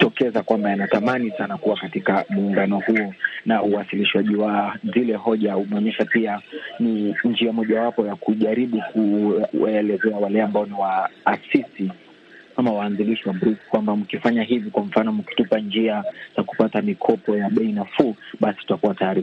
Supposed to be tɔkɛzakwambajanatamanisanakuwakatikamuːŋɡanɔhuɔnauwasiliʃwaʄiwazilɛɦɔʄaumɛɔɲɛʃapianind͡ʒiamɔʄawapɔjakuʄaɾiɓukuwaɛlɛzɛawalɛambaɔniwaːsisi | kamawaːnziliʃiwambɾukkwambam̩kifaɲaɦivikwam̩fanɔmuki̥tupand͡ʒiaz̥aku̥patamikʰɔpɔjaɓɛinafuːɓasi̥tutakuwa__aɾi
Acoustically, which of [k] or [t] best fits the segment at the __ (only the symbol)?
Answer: t